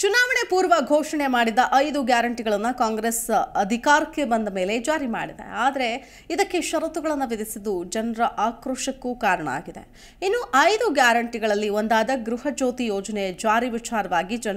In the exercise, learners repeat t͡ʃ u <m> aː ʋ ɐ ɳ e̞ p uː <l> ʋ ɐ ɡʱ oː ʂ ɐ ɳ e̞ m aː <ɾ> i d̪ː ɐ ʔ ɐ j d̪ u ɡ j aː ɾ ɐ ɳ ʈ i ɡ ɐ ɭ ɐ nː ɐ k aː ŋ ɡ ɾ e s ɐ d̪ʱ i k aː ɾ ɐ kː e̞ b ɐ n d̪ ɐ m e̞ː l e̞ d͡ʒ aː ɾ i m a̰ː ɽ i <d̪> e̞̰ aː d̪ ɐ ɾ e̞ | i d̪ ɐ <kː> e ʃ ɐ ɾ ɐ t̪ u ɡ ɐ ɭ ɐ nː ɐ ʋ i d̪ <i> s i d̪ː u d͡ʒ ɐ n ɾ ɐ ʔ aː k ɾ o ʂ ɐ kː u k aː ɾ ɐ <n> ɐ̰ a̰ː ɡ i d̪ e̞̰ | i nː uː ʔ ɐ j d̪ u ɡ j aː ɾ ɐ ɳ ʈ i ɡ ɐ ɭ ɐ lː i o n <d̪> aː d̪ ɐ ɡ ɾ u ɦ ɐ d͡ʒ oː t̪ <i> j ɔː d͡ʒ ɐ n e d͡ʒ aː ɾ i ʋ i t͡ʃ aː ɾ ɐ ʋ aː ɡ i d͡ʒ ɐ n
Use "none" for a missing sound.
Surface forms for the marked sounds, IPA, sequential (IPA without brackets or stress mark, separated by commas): n, ɾ, ɽ, d̪, kː, i, ɳ, d̪, i